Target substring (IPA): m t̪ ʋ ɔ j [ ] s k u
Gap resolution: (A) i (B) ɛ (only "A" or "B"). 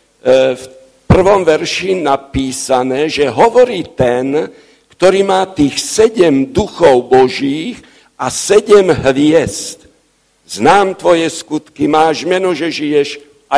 B